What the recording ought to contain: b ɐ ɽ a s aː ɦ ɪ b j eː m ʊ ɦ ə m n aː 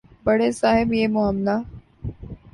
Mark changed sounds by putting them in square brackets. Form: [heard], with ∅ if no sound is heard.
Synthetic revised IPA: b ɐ ɽ [e] s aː ɦ ɪ b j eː m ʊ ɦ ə m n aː